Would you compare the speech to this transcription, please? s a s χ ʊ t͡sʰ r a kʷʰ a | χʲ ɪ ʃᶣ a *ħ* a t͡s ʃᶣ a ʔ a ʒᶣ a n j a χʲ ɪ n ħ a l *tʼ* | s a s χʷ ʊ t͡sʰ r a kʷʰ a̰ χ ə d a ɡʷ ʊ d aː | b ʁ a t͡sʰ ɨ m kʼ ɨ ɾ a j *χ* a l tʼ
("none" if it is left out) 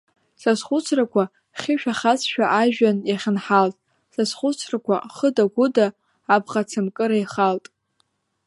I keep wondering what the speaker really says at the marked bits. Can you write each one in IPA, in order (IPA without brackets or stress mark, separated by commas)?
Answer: χ, tʼ, χ